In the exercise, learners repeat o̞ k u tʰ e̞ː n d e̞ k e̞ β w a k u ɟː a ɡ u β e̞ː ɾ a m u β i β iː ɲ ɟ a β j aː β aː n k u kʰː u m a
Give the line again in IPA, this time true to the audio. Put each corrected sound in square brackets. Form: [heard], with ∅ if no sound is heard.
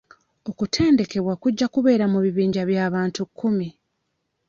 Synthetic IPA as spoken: o̞ k u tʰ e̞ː n d e̞ k e̞ β w a k u ɟː a [k] u β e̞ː ɾ a m u β i β iː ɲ ɟ a β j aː β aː n [t] u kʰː u m [i]